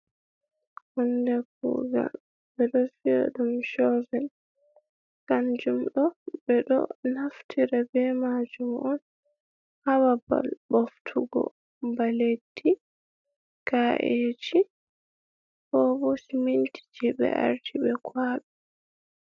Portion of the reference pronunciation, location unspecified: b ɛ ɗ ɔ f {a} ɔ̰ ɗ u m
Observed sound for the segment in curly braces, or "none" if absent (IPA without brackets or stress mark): i